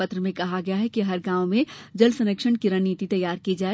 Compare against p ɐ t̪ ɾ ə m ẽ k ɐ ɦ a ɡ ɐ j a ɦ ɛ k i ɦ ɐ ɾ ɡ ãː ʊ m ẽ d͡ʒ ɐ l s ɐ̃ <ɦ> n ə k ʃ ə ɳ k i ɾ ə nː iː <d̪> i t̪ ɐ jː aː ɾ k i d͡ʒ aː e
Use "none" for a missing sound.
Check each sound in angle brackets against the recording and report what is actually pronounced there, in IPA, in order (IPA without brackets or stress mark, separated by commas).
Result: none, t̪